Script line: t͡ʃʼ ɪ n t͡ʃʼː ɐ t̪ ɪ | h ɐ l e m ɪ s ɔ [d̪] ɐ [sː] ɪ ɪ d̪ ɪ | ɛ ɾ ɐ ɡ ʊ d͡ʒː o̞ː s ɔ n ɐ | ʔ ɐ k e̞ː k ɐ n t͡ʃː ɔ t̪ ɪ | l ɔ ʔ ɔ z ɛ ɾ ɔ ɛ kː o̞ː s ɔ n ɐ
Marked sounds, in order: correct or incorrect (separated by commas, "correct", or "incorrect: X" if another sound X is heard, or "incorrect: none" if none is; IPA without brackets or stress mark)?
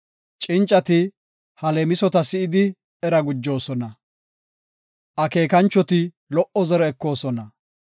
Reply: incorrect: t̪, incorrect: s